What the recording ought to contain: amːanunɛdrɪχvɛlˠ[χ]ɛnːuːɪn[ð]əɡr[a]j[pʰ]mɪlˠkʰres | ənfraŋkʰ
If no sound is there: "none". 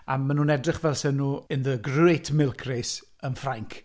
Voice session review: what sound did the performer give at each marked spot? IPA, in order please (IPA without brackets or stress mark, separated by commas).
s, ð, e, tʰ